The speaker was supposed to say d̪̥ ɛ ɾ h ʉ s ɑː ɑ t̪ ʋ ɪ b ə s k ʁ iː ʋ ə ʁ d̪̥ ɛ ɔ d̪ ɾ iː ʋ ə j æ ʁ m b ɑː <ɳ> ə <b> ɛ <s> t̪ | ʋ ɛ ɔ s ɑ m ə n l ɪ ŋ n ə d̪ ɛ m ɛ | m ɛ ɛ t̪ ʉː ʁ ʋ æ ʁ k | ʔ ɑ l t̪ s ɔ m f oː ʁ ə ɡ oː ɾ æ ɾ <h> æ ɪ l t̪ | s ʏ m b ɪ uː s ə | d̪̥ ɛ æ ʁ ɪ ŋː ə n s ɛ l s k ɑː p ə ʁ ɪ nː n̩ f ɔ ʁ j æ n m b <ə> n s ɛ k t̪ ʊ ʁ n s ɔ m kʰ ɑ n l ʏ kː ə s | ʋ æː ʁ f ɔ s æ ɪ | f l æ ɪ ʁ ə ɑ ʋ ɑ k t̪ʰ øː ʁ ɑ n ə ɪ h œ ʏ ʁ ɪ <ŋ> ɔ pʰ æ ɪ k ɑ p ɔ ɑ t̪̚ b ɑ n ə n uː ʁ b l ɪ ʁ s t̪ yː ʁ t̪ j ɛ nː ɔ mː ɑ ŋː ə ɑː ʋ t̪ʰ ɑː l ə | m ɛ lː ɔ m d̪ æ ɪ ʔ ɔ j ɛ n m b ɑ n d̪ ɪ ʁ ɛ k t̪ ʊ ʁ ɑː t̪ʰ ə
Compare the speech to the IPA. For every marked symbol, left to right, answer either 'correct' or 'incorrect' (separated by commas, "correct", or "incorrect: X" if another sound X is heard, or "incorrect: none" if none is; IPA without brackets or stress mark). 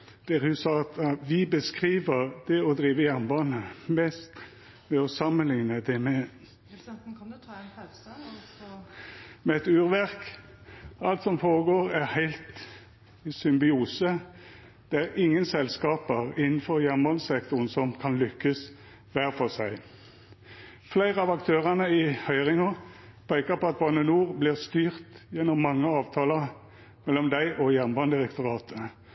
incorrect: n, incorrect: m, correct, correct, incorrect: ɑ, correct